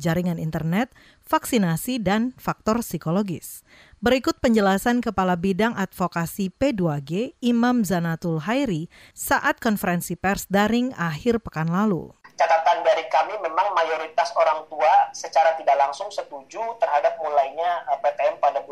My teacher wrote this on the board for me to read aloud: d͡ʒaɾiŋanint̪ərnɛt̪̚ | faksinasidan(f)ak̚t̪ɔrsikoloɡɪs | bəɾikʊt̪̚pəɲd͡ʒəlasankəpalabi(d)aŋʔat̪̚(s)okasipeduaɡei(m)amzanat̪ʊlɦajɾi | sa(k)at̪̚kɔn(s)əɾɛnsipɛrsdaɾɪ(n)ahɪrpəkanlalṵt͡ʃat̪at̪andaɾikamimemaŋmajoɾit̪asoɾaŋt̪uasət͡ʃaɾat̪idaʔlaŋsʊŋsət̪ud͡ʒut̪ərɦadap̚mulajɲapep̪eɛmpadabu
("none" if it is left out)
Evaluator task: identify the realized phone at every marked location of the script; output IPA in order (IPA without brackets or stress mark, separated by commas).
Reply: f, d, f, m, ʔ, f, ŋ